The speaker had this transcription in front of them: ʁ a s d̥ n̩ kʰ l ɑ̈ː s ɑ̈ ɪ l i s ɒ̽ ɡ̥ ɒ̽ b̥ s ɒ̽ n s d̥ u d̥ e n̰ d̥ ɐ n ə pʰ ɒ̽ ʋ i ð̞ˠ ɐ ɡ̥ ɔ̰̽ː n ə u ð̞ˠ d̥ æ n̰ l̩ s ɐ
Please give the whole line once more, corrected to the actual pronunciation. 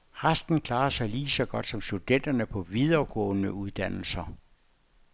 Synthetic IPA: ʁ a s d̥ n̩ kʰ l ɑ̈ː s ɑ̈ ɪ l iː s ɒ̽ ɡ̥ ɒ̽ d̥ s ɒ̽ m s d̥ u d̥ e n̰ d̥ ɐ n ə pʰ ɒ̽ ʋ i ð̞ˠ ɐ ɡ̥ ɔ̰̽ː n ə u ð̞ˠ d̥ æ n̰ l̩ s ɐ